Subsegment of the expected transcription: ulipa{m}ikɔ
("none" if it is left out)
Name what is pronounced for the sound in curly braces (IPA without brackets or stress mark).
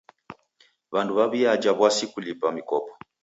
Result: m